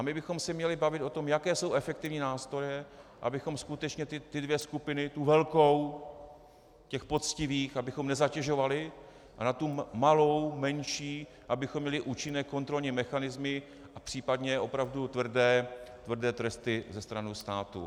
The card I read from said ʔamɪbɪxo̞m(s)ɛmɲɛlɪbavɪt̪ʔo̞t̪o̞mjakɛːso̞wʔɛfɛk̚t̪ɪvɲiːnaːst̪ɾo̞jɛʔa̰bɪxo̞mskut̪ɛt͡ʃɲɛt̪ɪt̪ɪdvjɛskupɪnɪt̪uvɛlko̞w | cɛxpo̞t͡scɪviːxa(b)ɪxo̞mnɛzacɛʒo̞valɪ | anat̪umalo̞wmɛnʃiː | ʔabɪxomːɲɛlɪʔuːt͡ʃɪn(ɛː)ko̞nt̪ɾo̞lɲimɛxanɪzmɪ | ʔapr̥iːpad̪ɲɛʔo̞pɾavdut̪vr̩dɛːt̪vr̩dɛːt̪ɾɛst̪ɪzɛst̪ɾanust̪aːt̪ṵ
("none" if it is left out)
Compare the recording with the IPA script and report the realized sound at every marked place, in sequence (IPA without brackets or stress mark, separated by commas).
s, b, ɛː